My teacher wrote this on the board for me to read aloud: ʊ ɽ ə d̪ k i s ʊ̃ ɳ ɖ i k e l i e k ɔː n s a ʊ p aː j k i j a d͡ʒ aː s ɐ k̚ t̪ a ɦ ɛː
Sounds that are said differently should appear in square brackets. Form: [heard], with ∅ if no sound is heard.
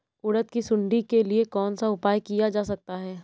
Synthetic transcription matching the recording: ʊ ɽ ə [t̪] k i s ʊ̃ ɳ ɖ i k e l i e k ɔː n s a ʊ p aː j k i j a d͡ʒ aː s ɐ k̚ t̪ a ɦ ɛː